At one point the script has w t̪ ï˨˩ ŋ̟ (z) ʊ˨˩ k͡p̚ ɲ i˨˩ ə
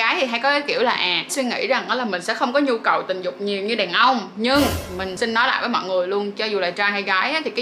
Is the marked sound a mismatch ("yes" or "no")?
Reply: no